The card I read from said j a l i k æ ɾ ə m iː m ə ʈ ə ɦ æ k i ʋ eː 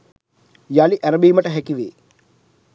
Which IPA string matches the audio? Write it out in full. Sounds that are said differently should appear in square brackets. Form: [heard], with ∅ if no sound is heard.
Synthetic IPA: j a l i [ʔ] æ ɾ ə [b] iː m ə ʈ ə ɦ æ k i ʋ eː

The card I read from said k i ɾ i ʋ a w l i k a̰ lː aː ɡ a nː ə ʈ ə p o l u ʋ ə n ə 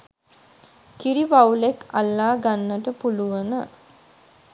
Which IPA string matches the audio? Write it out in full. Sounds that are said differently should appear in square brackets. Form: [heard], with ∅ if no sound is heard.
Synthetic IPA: k i ɾ i ʋ a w l [e] k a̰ lː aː ɡ a nː ə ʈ ə p [u] l u ʋ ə n ə

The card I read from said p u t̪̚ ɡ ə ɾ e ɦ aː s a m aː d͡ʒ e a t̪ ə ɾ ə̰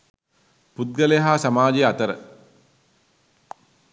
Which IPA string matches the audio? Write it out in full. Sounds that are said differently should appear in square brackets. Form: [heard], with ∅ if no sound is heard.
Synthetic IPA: p u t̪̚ ɡ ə [l] e ɦ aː s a m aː d͡ʒ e a t̪ ə ɾ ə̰

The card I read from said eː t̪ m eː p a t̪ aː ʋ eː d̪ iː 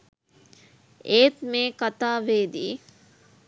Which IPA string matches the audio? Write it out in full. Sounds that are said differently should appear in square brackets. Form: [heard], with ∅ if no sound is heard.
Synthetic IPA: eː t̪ m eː [k] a t̪ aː ʋ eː d̪ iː

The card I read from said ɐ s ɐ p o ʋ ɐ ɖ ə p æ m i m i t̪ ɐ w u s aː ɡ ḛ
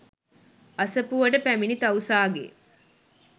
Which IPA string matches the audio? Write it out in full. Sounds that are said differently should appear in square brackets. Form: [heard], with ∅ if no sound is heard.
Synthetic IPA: ɐ s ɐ p [u] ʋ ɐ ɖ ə p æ m i [n] i t̪ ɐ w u s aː ɡ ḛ

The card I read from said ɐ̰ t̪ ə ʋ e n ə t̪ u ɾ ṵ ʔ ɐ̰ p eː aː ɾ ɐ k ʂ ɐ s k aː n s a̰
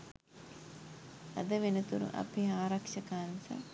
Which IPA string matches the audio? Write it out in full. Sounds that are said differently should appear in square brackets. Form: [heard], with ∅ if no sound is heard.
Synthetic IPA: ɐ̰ [d̪] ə ʋ e n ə t̪ u ɾ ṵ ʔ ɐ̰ p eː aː ɾ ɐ k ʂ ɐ [∅] k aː n s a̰

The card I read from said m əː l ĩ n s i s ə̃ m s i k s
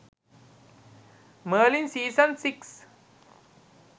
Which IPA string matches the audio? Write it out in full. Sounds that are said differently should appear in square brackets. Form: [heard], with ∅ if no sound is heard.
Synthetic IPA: m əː l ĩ n s [iː] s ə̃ [n] s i k s

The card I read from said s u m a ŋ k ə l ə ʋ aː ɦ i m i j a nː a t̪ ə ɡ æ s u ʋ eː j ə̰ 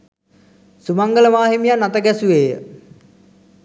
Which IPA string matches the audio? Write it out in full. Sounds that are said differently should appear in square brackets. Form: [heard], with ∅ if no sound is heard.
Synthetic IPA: s u m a ŋ [ɡ] ə l ə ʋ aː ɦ i m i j a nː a t̪ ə ɡ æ s u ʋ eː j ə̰

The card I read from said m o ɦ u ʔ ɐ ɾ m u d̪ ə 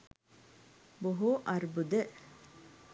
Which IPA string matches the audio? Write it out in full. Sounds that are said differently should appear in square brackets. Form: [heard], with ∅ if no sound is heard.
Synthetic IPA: [b] o ɦ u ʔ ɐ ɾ [b] u d̪ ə

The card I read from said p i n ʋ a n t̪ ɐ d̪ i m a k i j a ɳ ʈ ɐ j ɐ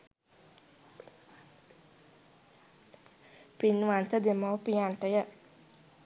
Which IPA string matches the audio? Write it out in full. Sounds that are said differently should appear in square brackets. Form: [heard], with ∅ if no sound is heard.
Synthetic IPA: p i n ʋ a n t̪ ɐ d̪ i m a [p] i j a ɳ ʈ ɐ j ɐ

